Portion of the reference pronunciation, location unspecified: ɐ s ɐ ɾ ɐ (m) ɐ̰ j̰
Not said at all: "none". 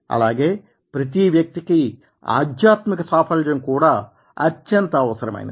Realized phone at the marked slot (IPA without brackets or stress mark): m